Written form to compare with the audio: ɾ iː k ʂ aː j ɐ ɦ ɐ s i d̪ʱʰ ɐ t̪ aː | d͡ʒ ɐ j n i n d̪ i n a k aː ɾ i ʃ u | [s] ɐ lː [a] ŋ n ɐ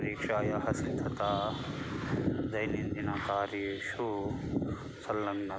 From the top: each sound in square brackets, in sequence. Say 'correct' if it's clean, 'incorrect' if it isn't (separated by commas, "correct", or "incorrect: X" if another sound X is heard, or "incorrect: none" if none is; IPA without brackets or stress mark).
correct, incorrect: ɐ